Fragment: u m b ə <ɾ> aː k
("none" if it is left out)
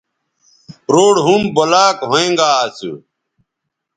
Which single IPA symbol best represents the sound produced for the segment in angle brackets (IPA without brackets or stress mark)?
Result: l